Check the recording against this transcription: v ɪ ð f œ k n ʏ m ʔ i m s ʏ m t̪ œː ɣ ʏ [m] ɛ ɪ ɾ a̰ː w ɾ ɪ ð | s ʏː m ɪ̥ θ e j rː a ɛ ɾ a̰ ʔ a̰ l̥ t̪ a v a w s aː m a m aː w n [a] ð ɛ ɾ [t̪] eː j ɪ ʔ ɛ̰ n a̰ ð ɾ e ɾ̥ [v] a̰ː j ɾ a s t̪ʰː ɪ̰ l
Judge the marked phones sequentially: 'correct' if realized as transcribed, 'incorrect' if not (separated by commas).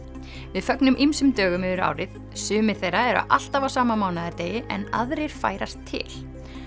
correct, correct, correct, incorrect